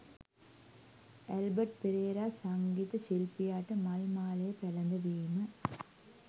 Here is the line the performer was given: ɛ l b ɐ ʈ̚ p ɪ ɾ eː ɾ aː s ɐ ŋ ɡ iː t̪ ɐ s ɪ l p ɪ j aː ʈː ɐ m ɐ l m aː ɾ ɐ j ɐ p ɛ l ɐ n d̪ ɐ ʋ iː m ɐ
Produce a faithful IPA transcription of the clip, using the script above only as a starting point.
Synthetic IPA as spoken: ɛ l b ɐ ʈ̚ p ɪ ɾ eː ɾ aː s ɐ ŋ ɡ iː t̪ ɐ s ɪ l p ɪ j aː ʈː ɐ m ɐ l m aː l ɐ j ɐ p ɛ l ɐ n d̪ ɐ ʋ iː m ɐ